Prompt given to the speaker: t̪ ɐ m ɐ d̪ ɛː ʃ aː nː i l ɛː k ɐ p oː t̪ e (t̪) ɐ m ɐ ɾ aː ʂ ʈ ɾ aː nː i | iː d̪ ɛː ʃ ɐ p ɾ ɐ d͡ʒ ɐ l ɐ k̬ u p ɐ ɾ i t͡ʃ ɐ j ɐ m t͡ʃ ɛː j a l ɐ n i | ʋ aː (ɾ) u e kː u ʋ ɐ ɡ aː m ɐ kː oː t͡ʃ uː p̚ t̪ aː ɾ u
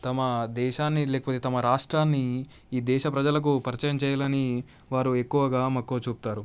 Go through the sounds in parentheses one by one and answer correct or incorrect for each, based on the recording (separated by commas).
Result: correct, correct